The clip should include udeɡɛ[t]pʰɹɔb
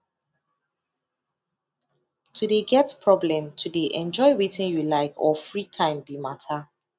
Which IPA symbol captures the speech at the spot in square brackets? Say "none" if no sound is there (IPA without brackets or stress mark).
t